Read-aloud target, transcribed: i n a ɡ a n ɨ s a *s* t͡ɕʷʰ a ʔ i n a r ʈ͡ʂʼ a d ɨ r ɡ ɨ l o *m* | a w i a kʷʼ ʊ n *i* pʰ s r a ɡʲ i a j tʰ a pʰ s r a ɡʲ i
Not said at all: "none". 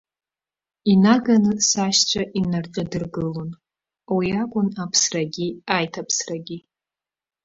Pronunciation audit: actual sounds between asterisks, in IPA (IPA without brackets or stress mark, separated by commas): ʃ, n, a